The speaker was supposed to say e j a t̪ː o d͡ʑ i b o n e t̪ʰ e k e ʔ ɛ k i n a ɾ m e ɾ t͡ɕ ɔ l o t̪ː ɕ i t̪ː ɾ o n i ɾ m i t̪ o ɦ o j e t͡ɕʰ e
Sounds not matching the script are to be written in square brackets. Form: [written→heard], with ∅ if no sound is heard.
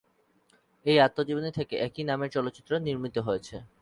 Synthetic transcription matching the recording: e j a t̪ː o d͡ʑ i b o n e t̪ʰ e k e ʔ ɛ k i n a [ɾ→∅] m e ɾ t͡ɕ ɔ l o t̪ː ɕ i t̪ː ɾ o n i ɾ m i t̪ o ɦ o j e t͡ɕʰ e